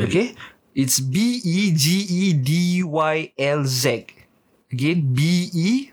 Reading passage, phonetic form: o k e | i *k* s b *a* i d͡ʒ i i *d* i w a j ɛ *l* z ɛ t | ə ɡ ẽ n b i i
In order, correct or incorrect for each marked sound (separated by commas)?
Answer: incorrect, incorrect, correct, correct